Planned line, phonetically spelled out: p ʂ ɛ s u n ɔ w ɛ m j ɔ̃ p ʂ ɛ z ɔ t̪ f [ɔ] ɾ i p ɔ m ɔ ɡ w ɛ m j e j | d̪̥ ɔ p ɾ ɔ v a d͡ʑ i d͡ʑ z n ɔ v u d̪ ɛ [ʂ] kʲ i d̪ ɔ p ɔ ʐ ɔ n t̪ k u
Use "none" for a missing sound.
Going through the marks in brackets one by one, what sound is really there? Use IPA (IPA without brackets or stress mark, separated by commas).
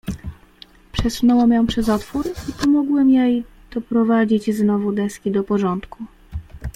u, s